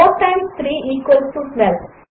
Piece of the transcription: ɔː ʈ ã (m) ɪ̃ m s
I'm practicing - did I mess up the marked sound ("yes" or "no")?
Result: yes